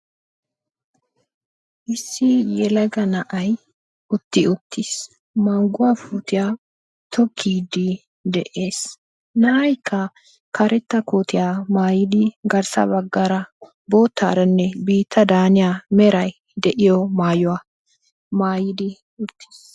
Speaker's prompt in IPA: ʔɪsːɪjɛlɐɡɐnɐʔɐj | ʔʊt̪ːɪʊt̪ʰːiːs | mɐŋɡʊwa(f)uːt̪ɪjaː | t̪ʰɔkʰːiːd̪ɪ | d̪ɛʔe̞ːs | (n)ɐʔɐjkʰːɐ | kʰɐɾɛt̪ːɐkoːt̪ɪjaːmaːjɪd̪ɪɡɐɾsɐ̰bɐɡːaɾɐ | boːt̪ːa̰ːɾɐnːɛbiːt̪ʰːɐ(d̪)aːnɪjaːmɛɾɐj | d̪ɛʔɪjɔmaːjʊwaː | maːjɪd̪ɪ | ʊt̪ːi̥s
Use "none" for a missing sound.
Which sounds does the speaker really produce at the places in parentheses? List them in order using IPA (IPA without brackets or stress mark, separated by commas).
f, n, d̪